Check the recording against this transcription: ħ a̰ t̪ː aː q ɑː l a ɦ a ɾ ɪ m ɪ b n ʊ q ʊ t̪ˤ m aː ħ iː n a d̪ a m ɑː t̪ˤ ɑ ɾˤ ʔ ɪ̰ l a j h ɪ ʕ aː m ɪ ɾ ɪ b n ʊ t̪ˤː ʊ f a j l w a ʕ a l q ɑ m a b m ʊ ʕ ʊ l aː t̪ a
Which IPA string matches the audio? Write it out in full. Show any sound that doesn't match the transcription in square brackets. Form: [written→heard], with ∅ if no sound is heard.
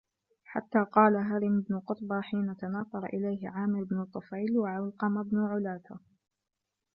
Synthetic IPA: ħ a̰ t̪ː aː q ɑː l a ɦ a ɾ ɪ m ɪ b n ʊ q ʊ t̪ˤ [m→b] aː ħ iː n a [d̪→t̪] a [m→n] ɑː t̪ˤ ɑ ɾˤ ʔ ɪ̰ l a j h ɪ ʕ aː m ɪ ɾ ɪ b n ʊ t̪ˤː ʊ f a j l w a ʕ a l q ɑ m a b [m→n] ʊ ʕ ʊ l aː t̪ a